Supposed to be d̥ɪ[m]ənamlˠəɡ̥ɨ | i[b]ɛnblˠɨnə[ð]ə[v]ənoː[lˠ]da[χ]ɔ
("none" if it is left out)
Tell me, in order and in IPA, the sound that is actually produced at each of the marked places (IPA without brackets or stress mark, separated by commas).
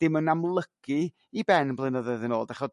m, b, ð, ð, lˠ, χ